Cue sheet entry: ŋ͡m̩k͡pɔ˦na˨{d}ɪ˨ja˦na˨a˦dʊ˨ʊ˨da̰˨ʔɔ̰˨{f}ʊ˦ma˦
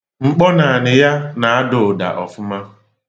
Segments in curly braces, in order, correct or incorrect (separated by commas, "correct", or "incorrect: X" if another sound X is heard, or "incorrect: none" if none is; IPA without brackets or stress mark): incorrect: n, correct